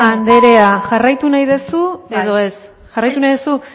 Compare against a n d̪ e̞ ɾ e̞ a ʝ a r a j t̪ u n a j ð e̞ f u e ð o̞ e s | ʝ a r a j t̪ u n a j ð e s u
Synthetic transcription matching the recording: a n d̪ e̞ ɾ e̞ a ʝ a r a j t̪ u n a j ð e̞ s u e ð o̞ e s | ʝ a r a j t̪ u n a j ð e s u